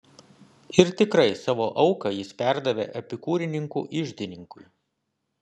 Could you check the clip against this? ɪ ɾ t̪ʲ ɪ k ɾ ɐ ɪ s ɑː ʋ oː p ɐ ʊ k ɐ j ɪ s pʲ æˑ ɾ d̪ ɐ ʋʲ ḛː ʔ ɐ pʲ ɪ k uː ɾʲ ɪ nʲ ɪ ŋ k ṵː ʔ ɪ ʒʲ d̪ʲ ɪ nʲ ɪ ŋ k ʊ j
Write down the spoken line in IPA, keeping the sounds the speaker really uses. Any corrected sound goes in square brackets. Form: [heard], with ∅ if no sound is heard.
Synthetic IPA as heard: ɪ ɾ t̪ʲ ɪ k ɾ ɐ ɪ s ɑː ʋ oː [ʔ] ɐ ʊ k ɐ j ɪ s pʲ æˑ ɾ d̪ ɐ ʋʲ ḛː ʔ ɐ pʲ ɪ k uː ɾʲ ɪ nʲ ɪ ŋ k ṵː ʔ ɪ ʒʲ d̪ʲ ɪ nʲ ɪ ŋ k ʊ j

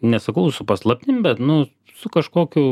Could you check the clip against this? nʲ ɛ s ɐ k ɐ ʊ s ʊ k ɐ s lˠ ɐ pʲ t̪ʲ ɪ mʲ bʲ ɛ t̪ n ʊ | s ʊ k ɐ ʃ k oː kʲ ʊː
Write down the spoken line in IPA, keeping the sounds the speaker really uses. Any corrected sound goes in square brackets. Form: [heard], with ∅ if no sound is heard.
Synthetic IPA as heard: nʲ ɛ s ɐ k ɐ ʊ s ʊ [p] ɐ s lˠ ɐ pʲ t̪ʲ ɪ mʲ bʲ ɛ t̪ n ʊ | s ʊ k ɐ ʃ k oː kʲ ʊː

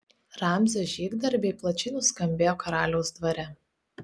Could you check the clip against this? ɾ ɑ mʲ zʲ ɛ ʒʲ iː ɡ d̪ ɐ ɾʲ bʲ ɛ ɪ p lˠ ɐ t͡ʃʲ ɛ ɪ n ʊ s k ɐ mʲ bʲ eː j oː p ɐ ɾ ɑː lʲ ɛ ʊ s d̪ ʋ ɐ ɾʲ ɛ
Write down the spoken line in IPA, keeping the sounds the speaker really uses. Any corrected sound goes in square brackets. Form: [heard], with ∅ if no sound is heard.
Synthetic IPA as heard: ɾ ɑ mʲ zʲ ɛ ʒʲ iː ɡ d̪ ɐ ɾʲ bʲ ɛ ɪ p lˠ ɐ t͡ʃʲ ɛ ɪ n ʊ s k ɐ mʲ bʲ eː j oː [k] ɐ ɾ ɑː lʲ ɛ ʊ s d̪ ʋ ɐ ɾʲ ɛ

